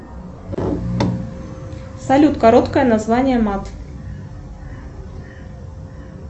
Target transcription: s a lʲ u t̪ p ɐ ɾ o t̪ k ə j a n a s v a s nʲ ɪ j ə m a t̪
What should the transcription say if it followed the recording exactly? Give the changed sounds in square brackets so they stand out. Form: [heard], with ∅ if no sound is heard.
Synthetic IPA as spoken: s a lʲ u t̪ [k] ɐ ɾ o t̪ k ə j [ə] n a [z] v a [∅] nʲ ɪ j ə m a t̪